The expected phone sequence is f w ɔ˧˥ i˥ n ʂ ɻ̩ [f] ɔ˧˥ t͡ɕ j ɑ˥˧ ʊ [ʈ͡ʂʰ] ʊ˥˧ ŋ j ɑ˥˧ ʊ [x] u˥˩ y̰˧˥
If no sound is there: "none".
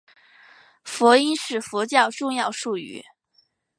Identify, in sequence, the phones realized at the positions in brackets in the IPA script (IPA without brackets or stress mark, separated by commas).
f, ʈ͡ʂ, ʂ